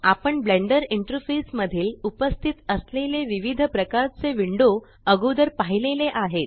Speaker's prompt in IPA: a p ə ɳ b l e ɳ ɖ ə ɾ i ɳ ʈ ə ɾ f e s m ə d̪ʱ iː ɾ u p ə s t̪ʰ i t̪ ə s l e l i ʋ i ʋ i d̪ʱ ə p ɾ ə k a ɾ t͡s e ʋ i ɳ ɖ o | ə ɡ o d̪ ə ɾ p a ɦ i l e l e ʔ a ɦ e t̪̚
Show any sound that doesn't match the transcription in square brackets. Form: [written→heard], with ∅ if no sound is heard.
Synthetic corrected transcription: a p ə ɳ b l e ɳ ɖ ə ɾ i ɳ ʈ ə ɾ f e s m ə d̪ʱ iː [ɾ→l] u p ə s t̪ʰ i t̪ ə s l e l [i→e] ʋ i ʋ i d̪ʱ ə p ɾ ə k a ɾ t͡s e ʋ i ɳ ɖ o | ə ɡ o d̪ ə ɾ p a ɦ i l e l e ʔ a ɦ e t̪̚